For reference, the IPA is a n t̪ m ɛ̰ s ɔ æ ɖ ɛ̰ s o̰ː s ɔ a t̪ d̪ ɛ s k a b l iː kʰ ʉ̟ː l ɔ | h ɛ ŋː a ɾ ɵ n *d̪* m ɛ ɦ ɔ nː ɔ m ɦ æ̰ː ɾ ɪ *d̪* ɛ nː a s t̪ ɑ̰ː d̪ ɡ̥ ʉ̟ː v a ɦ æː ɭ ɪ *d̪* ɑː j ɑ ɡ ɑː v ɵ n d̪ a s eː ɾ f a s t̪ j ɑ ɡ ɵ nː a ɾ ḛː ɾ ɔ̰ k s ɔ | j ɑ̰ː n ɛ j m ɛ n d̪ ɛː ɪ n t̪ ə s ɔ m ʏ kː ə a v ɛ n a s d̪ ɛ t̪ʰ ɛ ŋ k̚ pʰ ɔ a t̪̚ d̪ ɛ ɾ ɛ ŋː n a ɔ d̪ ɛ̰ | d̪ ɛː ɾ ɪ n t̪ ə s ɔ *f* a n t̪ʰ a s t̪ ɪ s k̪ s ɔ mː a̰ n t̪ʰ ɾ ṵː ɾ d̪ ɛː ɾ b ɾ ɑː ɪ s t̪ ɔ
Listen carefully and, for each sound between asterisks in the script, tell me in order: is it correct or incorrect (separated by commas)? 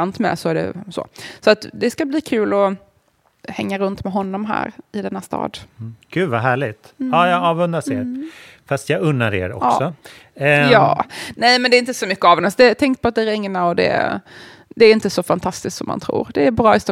incorrect, correct, incorrect, correct